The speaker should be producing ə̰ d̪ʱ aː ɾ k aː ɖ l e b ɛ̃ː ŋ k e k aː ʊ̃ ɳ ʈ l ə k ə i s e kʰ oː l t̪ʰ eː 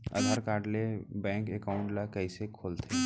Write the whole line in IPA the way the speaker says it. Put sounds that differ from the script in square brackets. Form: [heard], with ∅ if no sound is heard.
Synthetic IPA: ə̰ d̪ʱ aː ɾ k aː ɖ l e b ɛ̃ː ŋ k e k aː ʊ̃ ɳ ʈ l [a] k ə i s e kʰ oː l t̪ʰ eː